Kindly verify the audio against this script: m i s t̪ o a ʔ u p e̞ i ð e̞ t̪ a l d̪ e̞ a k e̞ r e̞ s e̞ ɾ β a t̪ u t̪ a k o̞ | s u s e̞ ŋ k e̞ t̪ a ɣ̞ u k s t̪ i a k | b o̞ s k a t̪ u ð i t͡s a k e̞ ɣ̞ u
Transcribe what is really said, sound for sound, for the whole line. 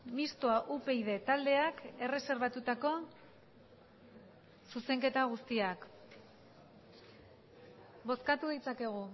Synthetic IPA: m i s t̪ o a ʔ u p e̞ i ð e̞ t̪ a l d̪ e̞ a k e̞ r e̞ s e̞ ɾ β a t̪ u t̪ a k o̞ | s u s e̞ ŋ k e̞ t̪ a ɣ̞ u s t̪ i a k | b o̞ s k a t̪ u ð i t͡s a k e̞ ɣ̞ u